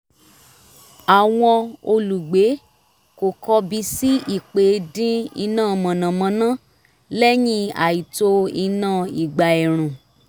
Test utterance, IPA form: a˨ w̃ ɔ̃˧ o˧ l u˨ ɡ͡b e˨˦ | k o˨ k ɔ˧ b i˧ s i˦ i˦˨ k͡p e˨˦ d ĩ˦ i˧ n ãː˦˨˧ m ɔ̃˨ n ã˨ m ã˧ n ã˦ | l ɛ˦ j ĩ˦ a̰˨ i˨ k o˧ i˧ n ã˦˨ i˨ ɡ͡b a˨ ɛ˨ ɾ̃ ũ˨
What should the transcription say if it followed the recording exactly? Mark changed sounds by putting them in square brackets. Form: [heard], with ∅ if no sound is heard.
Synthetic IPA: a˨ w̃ ɔ̃˧ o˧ l u˨ ɡ͡b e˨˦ | k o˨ k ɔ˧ b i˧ s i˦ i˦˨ k͡p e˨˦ d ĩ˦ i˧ n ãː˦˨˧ m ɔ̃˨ n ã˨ m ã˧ n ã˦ | l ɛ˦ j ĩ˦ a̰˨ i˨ [t] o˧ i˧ n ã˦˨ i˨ ɡ͡b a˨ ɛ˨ ɾ̃ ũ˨